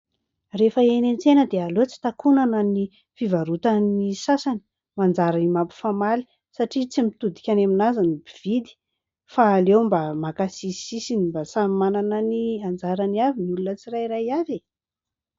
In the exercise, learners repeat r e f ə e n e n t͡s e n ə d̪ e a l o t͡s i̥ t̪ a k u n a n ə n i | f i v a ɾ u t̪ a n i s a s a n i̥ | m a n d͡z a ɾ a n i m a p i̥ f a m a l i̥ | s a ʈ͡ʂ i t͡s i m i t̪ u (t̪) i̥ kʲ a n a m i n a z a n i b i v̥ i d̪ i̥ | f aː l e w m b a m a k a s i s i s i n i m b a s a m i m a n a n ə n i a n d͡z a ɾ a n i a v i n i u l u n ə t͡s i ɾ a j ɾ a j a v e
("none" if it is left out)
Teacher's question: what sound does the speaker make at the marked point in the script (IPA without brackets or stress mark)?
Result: d̪